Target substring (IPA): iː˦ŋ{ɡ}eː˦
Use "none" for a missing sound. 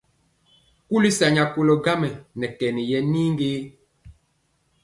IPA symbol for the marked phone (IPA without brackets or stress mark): ɡ